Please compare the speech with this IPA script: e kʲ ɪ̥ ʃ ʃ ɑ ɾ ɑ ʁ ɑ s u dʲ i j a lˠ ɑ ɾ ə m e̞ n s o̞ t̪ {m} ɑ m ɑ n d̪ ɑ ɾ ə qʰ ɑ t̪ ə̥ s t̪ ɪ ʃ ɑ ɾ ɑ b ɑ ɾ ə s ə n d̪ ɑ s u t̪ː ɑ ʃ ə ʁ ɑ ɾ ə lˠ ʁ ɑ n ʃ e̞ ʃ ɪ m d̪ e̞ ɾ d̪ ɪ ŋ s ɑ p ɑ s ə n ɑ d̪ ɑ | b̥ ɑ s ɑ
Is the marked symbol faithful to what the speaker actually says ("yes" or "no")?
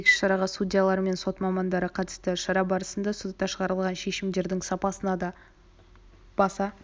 yes